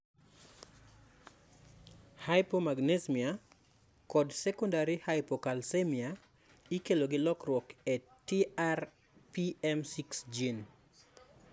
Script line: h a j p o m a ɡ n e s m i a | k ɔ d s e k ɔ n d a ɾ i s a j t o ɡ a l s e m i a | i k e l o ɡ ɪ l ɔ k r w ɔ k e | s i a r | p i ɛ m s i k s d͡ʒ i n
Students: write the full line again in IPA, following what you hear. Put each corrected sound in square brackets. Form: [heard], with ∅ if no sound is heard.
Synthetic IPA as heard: h a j p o m a ɡ n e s m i a | k ɔ d s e k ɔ n d a ɾ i [h] a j [p] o [k] a l s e m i a | i k e l o ɡ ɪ l ɔ k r w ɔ k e | [t] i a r | p i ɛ m s i k s d͡ʒ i n